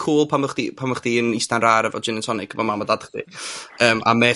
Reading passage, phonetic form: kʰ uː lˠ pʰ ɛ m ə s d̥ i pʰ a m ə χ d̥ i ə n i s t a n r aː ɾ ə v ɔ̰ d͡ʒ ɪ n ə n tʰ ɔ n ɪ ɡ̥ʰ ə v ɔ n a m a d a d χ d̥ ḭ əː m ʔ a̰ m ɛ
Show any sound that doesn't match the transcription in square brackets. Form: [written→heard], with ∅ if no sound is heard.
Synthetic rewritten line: kʰ uː lˠ pʰ [ɛ→a] m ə [s→χ] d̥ i pʰ a m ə χ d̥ i ə n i s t a n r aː ɾ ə v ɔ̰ d͡ʒ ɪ n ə n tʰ ɔ n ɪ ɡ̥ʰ ə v ɔ [n→m] a m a d a d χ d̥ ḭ əː m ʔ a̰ m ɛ